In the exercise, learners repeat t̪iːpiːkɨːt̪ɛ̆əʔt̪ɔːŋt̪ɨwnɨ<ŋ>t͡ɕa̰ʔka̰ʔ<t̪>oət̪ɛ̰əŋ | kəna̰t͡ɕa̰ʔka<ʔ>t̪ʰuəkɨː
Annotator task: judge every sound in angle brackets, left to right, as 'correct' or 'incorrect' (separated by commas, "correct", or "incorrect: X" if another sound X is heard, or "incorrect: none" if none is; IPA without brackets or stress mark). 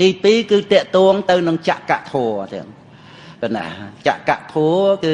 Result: correct, incorrect: t̪ʰ, correct